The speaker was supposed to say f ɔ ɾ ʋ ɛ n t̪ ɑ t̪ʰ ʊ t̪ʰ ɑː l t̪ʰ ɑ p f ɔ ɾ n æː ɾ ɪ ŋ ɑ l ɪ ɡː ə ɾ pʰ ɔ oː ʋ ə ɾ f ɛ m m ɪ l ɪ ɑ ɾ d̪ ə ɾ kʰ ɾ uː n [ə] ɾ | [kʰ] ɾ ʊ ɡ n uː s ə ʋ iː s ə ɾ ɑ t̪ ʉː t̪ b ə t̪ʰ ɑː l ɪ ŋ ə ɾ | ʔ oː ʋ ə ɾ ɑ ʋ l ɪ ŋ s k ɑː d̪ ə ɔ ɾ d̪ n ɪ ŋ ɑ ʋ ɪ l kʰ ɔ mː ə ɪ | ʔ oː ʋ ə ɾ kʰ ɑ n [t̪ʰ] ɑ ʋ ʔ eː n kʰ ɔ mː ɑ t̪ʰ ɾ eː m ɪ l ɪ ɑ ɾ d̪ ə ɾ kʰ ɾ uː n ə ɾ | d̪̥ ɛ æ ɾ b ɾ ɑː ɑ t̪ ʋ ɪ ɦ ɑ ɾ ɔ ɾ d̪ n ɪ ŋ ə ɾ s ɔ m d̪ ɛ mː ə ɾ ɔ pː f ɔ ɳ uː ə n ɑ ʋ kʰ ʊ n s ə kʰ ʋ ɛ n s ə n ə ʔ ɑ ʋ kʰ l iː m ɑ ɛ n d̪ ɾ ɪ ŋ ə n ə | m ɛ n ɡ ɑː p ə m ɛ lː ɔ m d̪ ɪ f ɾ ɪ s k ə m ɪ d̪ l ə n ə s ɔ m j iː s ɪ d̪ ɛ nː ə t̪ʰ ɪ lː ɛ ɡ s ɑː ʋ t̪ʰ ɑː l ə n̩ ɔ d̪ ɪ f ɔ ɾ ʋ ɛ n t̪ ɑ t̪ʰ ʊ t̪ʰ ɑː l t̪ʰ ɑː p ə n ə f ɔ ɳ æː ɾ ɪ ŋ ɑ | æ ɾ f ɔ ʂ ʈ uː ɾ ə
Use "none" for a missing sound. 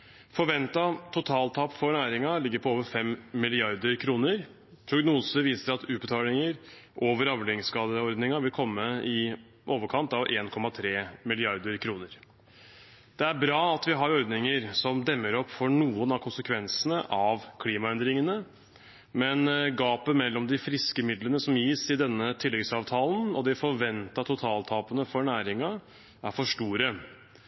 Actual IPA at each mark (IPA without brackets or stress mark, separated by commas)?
ə, pʰ, t̪